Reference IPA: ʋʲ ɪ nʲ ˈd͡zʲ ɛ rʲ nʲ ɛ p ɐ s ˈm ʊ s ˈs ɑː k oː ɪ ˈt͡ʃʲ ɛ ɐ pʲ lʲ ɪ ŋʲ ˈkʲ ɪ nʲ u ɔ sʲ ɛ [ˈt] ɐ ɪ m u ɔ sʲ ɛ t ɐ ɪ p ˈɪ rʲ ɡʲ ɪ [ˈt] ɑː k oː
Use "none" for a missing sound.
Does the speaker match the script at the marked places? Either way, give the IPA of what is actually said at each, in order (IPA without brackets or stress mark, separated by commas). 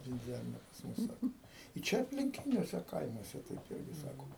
k, s